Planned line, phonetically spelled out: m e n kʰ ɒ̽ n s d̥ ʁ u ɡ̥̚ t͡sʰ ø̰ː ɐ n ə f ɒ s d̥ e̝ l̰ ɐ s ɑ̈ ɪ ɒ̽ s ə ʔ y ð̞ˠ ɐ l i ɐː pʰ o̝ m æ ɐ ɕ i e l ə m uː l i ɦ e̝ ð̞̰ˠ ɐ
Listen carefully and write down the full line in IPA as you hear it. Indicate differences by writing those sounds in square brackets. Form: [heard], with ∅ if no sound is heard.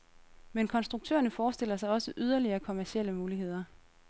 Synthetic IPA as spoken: m e n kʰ ɒ̽ n s d̥ ʁ u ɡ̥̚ t͡sʰ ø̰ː ɐ n ə f [ɒː] s d̥ e̝ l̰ ɐ s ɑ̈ ɪ ɒ̽ s ə ʔ y ð̞ˠ ɐ l i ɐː [kʰ] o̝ m æ ɐ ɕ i e l ə m uː l i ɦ e̝ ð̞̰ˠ ɐ